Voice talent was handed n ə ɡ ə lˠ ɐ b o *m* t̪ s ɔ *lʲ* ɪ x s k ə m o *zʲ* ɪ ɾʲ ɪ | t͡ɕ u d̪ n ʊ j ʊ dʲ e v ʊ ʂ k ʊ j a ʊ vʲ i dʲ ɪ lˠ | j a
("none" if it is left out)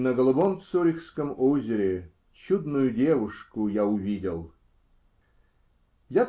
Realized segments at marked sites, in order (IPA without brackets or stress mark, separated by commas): m, ɾʲ, zʲ